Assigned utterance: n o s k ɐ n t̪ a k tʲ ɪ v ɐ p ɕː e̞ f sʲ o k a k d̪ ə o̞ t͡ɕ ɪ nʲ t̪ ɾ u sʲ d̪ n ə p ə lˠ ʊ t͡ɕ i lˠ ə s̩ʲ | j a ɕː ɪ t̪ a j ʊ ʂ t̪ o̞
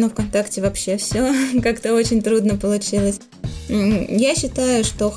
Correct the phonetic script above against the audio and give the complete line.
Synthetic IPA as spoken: n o f k ɐ n t̪ a k tʲ ɪ v ɐ p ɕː e̞ f sʲ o k a k t̪ ə o̞ t͡ɕ ɪ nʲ t̪ ɾ u d̪ n ə p ə lˠ ʊ t͡ɕ i lˠ ə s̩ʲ | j a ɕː ɪ t̪ a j ʊ ʂ t̪ o̞